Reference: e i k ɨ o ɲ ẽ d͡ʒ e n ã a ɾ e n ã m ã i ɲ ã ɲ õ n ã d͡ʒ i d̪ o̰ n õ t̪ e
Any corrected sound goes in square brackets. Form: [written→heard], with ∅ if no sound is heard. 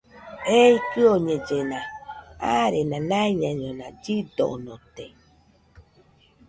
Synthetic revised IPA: e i k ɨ o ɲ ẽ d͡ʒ e n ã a ɾ e n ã [m→n] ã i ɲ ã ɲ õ n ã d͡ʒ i d̪ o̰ n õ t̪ e